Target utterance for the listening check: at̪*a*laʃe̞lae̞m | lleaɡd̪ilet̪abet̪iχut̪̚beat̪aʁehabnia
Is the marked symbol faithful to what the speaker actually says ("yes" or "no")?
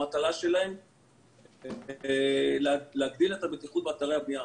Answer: yes